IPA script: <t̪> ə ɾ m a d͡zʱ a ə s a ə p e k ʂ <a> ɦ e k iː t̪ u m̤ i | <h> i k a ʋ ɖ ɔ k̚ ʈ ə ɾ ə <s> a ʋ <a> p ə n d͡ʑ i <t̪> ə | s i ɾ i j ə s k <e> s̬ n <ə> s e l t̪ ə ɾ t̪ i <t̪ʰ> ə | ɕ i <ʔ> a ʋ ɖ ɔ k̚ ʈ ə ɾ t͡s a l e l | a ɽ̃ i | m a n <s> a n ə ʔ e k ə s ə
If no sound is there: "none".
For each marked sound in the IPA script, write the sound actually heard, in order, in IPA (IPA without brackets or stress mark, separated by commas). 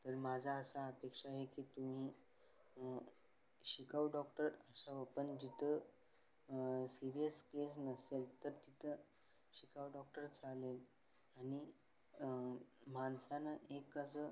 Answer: t̪, a, ɕ, s, ə, t̪ʰ, e, ə, t̪ʰ, k, s